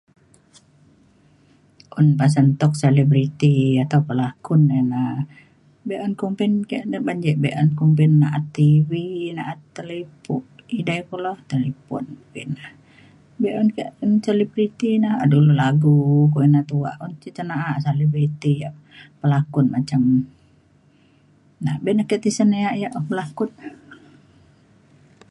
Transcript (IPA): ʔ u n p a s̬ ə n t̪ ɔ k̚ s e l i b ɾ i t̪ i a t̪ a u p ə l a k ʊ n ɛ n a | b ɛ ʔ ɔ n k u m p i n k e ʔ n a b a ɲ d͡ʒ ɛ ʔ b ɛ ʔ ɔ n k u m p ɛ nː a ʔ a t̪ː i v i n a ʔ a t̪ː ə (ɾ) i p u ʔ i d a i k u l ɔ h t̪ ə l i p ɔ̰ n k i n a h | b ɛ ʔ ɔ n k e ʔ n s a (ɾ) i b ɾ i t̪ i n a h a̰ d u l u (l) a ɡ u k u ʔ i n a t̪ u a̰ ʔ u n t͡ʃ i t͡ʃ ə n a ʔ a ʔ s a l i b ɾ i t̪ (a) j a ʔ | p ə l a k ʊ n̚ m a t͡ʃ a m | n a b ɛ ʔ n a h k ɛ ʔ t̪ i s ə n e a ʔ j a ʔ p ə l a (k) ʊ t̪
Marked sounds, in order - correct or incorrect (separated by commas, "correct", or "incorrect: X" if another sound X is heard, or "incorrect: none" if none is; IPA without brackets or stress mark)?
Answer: incorrect: l, incorrect: l, correct, incorrect: i, correct